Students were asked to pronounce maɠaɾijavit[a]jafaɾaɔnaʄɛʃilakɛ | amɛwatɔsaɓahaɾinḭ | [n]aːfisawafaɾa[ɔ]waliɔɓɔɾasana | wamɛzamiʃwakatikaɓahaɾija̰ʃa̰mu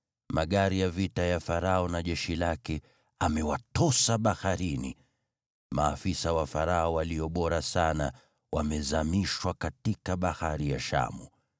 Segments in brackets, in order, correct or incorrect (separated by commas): correct, incorrect, correct